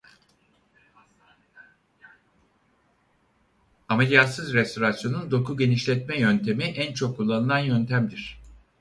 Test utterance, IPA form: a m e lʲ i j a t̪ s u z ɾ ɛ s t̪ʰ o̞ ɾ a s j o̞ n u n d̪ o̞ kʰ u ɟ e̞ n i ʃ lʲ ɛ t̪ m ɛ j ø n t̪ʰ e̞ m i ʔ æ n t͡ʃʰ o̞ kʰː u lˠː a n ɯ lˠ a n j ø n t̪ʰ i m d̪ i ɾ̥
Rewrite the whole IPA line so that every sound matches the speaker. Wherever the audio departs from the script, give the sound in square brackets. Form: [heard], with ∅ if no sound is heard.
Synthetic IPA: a m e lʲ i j a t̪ s [ɯ] z ɾ ɛ s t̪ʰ o̞ ɾ a s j o̞ n u n d̪ o̞ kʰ u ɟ e̞ n i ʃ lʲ ɛ t̪ m ɛ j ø n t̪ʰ e̞ m i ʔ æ n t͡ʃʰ o̞ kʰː u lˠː a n ɯ lˠ a n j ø n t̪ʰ [æ] m d̪ i ɾ̥